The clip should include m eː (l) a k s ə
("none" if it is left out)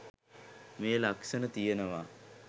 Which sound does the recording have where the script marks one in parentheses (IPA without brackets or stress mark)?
l